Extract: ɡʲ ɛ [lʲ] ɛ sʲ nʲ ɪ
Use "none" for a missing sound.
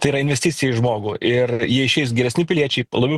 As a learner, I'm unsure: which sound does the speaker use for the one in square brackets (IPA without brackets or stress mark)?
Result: ɾʲ